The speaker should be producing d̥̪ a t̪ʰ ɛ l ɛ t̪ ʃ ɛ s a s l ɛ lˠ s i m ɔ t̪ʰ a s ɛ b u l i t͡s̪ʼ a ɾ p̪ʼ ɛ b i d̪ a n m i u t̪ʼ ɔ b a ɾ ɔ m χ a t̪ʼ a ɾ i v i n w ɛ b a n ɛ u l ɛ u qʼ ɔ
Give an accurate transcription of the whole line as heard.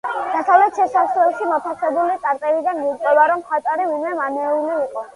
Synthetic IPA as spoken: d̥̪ a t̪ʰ a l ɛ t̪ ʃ ɛ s a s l ɛ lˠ ʃ i m ɔ t̪ʰ a s ɛ b u l i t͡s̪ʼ a ɾ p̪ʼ ɛ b i d̪ a n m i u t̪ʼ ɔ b a ɾ ɔ m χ a t̪ʼ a ɾ i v i n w ɛ m a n ɛ u l i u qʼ ɔ